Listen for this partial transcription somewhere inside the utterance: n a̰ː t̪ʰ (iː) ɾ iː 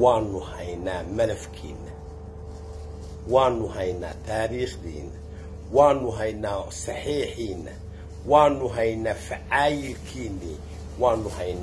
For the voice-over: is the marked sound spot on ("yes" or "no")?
no